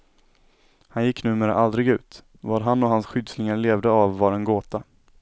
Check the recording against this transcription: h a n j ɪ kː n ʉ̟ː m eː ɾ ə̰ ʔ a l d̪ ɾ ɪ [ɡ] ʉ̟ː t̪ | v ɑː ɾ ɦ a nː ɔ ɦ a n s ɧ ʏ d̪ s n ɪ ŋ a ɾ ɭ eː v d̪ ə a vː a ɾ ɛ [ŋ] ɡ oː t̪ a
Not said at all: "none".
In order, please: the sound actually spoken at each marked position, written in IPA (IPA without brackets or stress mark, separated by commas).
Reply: ɡ, n